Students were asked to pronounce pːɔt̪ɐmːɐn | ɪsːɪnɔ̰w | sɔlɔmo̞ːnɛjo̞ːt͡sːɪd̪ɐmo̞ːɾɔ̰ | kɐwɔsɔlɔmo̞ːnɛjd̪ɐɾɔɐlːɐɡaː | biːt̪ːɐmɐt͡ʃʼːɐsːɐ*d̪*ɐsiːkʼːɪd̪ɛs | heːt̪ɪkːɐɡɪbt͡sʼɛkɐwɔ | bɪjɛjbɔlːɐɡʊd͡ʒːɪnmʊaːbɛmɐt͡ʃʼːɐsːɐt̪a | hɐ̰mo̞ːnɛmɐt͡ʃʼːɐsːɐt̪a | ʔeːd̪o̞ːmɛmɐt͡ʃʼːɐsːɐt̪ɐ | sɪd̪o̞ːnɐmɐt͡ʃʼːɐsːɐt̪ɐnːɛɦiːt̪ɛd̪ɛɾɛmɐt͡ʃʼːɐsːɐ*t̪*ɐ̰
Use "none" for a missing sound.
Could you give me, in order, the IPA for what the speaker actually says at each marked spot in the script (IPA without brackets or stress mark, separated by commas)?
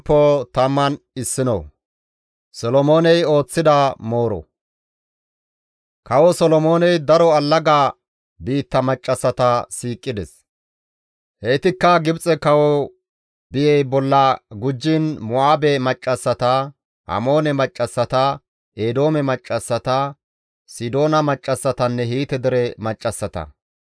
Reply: t̪, t̪